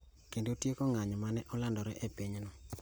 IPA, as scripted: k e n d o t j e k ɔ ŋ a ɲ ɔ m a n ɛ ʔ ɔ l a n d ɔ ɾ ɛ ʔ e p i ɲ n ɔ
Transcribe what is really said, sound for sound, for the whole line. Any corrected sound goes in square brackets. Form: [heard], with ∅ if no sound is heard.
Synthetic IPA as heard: k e n d o t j e k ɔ ŋ a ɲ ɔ m a n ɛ ʔ ɔ l a n d ɔ ɾ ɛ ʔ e p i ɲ n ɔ